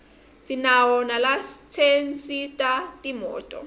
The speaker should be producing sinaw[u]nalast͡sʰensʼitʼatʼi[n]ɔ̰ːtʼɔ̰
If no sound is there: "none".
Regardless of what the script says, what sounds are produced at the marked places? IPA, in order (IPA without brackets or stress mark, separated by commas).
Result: ɔ, m